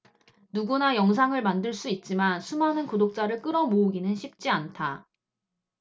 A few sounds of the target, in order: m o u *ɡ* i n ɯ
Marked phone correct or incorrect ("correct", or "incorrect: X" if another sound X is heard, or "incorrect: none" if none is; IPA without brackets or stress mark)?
correct